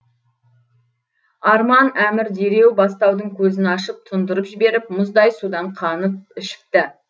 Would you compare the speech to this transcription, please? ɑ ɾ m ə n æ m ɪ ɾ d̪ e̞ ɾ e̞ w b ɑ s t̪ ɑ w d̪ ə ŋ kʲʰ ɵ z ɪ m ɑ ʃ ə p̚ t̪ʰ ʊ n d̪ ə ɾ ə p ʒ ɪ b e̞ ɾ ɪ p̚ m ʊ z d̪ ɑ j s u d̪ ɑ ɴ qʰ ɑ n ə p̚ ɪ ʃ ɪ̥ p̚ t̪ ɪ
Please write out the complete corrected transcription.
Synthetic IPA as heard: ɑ ɾ m ɑ n æ m ɪ ɾ d̪ e̞ ɾ e̞ w b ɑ s t̪ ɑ w d̪ ə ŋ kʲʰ ɵ z ɪ n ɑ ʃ ə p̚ t̪ʰ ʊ n d̪ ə ɾ ə p ʒ ɪ b e̞ ɾ ɪ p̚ m ʊ z d̪ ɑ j s u d̪ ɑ ɴ qʰ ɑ n ə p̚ ɪ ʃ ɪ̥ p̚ t̪ ɪ

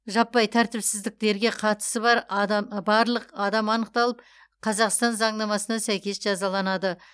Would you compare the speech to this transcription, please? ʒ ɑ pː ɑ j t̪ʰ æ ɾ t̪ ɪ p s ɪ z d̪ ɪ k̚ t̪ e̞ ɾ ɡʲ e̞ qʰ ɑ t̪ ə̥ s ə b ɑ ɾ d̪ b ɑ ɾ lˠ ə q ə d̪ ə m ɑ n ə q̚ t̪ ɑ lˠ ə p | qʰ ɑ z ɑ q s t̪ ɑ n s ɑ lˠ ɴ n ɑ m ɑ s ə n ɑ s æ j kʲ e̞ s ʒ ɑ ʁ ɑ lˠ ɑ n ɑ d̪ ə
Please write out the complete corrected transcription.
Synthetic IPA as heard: ʒ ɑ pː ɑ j t̪ʰ æ ɾ t̪ ɪ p s ɪ z d̪ ɪ k̚ t̪ e̞ ɾ ɡʲ e̞ qʰ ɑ t̪ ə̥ s ə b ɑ ɾ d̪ b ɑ ɾ lˠ ə q ɑ d̪ ɑ m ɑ n ə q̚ t̪ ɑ lˠ ə p | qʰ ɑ z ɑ q s t̪ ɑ n z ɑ ɴ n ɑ m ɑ s ə n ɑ s æ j kʲ e̞ s ʒ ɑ z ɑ lˠ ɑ n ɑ d̪ ə

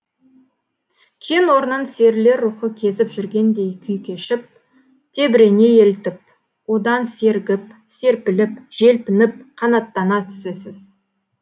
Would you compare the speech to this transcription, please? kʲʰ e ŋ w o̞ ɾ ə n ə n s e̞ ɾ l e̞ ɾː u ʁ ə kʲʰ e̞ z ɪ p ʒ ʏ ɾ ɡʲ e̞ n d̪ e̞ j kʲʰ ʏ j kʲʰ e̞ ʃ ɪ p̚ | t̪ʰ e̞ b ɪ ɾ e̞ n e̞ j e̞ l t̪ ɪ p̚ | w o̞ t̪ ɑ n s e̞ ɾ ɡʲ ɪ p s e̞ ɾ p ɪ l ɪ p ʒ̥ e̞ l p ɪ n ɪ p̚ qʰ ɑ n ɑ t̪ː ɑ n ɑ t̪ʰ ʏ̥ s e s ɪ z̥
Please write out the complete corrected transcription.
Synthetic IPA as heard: kʲʰ e n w o̞ ɾ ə n ə n s e̞ ɾ l e̞ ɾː u χ ə kʲʰ e̞ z ɪ p ʒ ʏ ɾ ɡʲ e̞ n d̪ e̞ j kʲʰ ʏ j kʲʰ e̞ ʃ ɪ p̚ | t̪ʰ e̞ b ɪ ɾ e̞ n e̞ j e̞ l t̪ ɪ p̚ | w o̞ d̪ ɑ n s e̞ ɾ ɡʲ ɪ p s e̞ ɾ p ɪ l ɪ p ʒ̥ e̞ l p ɪ n ɪ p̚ qʰ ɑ n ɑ t̪ː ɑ n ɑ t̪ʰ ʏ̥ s e s ɪ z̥

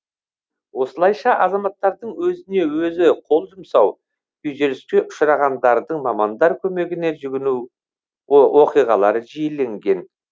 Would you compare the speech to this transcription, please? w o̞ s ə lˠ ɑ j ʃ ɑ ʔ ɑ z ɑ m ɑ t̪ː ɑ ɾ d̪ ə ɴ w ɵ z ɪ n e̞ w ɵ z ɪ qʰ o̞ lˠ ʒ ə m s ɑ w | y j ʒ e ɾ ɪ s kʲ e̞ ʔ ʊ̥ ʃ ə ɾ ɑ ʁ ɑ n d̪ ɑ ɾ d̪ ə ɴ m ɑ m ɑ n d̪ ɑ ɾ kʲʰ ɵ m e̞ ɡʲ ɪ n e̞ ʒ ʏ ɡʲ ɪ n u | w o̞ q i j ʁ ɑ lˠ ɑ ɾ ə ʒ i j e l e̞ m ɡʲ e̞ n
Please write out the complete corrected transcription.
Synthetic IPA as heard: w o̞ s ə lˠ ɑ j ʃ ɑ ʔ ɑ z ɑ m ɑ t̪ː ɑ ɾ d̪ ə ɴ w ɵ z ɪ n e̞ w ɵ z ɪ qʰ o̞ lˠ ʒ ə m s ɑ w | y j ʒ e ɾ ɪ s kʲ e̞ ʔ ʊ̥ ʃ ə ɾ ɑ ʁ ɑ n d̪ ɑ ɾ d̪ ə ɴ m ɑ m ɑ n d̪ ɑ ɾ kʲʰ ɵ m e̞ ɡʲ ɪ n e̞ ʒ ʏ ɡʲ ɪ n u | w o̞ q i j ʁ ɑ lˠ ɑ ɾ ə ʒ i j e l e̞ ŋ ɡʲ e̞ n

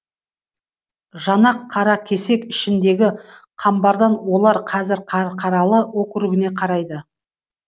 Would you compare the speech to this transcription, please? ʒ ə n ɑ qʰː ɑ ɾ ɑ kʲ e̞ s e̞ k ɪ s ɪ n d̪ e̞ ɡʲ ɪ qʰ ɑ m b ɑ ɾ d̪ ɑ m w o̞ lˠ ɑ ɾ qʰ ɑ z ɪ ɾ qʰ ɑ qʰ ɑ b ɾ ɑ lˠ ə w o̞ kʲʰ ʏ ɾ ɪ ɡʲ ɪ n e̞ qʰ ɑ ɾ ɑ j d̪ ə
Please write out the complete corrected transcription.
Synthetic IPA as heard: ʒ ɑ n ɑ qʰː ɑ ɾ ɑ kʲʰ e̞ s e̞ k ɪ ʃ ɪ n d̪ e̞ ɡʲ ɪ qʰ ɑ m b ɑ ɾ d̪ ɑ n w o̞ lˠ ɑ ɾ qʰ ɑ z ɪ ɾ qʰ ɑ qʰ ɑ ɾ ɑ lˠ ə w o̞ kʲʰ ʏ ɾ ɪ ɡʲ ɪ n e̞ qʰ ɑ ɾ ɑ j d̪ ə

